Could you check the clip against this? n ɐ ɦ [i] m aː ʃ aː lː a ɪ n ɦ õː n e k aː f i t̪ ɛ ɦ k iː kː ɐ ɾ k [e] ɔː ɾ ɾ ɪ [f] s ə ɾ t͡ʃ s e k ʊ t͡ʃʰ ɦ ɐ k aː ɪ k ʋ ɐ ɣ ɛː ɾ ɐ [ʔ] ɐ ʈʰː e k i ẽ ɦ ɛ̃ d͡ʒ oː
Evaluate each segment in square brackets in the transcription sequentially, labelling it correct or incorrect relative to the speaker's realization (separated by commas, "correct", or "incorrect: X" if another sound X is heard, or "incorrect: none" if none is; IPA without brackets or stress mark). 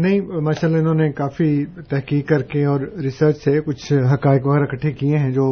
incorrect: ĩ, correct, incorrect: none, incorrect: k